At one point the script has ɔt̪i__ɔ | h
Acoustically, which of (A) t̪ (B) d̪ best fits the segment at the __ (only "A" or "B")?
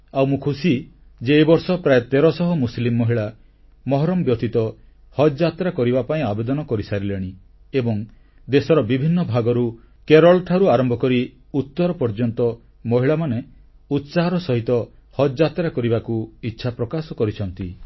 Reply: A